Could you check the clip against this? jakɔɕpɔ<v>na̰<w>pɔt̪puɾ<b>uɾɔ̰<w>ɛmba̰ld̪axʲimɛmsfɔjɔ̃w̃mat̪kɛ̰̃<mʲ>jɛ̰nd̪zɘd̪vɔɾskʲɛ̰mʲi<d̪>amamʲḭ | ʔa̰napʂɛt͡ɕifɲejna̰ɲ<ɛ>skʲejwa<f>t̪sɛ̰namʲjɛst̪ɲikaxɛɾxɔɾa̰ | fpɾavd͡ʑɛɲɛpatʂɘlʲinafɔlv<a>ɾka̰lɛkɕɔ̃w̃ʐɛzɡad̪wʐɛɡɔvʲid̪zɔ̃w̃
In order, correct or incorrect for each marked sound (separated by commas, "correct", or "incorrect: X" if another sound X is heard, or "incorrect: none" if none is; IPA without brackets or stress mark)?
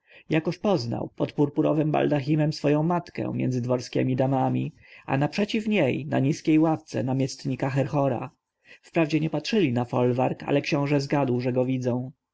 incorrect: z, correct, incorrect: p, incorrect: v, correct, correct, incorrect: i, correct, correct